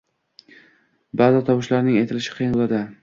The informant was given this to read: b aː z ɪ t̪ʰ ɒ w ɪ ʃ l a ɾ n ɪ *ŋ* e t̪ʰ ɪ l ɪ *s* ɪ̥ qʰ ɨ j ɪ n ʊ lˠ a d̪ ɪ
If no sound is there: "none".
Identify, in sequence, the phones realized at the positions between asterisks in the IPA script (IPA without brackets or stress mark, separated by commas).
ŋ, ʃ